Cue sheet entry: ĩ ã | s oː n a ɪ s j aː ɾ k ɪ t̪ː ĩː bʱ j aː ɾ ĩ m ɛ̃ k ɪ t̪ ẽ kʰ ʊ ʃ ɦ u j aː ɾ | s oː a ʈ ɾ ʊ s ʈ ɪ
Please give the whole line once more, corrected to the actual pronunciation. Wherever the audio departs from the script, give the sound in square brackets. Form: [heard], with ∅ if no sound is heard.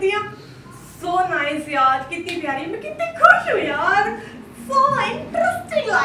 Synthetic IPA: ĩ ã | s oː n a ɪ s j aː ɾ k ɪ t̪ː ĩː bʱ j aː ɾ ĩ m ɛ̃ k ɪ t̪ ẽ kʰ ʊ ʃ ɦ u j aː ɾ | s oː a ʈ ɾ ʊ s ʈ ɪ